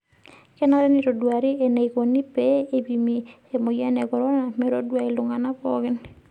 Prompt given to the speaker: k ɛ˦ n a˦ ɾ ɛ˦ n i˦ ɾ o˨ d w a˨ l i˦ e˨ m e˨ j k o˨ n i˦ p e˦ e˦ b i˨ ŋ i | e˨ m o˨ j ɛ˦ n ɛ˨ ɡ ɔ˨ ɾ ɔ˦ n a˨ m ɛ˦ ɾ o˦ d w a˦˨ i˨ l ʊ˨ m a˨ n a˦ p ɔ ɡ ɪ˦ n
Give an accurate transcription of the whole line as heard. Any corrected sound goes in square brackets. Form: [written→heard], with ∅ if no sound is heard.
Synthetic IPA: k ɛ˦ n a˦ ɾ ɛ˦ n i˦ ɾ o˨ d w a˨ [l→ɾ] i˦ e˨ [m→n] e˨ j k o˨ n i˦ p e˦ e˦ b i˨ [ŋ→m] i | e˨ m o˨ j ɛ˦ n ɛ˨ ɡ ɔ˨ ɾ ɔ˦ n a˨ m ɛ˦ ɾ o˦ d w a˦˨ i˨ l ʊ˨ [m→ŋ] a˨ n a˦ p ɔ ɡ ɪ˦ n